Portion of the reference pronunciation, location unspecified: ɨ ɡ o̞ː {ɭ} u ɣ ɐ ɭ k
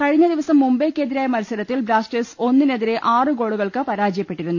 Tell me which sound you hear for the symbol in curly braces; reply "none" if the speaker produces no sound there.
ɽ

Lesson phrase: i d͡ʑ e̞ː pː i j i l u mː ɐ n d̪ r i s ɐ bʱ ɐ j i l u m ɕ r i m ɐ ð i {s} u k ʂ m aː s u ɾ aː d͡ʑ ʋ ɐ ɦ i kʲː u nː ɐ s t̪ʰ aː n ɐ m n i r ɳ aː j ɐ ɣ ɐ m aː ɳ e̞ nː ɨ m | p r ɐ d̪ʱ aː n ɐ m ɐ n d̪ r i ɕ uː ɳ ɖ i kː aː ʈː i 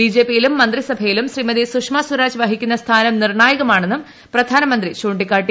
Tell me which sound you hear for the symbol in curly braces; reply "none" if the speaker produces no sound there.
s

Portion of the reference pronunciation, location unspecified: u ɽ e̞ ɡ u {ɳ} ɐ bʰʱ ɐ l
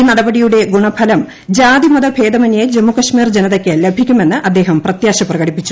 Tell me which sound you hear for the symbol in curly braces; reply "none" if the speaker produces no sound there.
ɳ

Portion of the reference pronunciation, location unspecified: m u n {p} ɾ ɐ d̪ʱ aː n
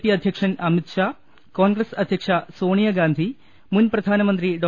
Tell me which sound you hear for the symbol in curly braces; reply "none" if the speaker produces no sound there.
p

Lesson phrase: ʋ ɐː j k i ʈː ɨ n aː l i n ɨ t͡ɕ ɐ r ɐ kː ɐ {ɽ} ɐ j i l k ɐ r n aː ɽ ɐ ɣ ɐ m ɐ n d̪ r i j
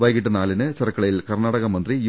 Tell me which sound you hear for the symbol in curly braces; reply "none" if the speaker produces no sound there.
ɭ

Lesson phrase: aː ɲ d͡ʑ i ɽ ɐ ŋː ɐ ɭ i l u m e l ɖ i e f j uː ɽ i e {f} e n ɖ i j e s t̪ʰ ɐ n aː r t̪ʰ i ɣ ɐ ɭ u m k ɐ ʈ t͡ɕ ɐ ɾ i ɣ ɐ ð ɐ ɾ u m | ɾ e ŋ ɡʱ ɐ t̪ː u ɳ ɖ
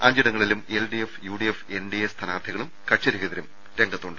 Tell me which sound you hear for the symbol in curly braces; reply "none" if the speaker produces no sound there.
f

